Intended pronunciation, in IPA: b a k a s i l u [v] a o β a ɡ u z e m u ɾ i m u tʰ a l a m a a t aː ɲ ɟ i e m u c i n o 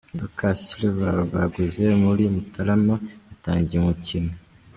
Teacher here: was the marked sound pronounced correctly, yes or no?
no